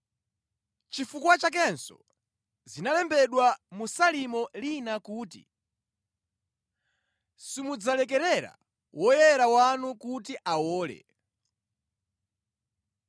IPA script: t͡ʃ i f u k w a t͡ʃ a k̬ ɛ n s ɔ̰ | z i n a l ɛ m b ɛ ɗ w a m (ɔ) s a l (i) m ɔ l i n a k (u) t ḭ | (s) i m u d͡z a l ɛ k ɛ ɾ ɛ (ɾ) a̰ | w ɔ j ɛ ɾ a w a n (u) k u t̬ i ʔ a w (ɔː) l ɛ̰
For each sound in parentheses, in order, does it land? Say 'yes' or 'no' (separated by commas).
no, yes, no, yes, yes, yes, yes